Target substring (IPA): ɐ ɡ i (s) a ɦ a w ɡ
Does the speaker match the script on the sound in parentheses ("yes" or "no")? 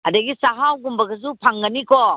yes